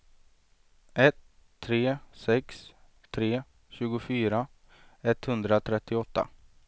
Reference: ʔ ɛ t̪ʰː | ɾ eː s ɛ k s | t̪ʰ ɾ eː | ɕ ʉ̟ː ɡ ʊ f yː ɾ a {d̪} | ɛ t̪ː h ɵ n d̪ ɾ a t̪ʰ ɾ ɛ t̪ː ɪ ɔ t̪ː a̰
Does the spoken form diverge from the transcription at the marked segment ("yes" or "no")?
yes